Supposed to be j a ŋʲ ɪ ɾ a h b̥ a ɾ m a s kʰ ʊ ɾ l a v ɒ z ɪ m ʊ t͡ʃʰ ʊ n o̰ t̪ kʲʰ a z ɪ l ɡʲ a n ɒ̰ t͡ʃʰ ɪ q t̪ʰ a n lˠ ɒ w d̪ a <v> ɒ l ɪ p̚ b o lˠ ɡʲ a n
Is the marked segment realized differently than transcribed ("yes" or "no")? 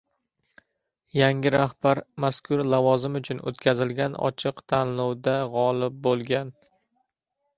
yes